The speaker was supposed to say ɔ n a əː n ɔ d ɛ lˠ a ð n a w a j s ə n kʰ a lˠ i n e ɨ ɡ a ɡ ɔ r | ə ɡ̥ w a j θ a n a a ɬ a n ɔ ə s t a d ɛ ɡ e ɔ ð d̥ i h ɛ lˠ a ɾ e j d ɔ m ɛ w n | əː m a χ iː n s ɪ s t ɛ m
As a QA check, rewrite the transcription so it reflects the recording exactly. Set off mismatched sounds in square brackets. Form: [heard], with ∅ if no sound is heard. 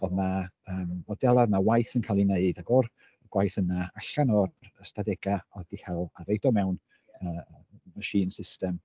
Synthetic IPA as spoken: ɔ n a əː [m] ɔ d ɛ lˠ a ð n a w a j [θ] ə n kʰ a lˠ i n e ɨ [d] a ɡ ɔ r | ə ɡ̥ w a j θ [ə] n a a ɬ a n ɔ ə s t a d ɛ ɡ [a] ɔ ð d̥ i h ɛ lˠ a ɾ e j d ɔ m ɛ w n | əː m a [ʃ] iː n s ɪ s t ɛ m